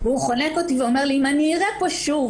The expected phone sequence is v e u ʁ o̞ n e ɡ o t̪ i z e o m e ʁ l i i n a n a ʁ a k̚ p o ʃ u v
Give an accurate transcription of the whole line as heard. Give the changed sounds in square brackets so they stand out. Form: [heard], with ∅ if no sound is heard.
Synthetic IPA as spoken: v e u [χ] o̞ n e [k] o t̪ i [v] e o m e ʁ l i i [m] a n [i] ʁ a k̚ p o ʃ u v